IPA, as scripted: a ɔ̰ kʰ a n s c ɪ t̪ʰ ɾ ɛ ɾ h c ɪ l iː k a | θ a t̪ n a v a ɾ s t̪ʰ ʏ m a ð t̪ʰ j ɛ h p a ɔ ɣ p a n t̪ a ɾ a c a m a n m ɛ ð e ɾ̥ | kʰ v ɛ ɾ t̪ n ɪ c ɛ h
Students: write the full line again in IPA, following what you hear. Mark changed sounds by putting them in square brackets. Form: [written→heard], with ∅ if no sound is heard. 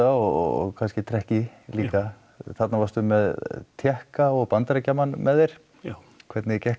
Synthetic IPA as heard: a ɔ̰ kʰ a n s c ɪ t̪ʰ ɾ ɛ [ɾ→∅] h c ɪ l iː k a | θ a t̪ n a v a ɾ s [t̪ʰ→t̪] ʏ m [a→ɛ] ð t̪ʰ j ɛ h [p→k] a ɔ ɣ p a n t̪ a ɾ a c a m a n m ɛ ð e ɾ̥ | kʰ v ɛ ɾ t̪ n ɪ c ɛ h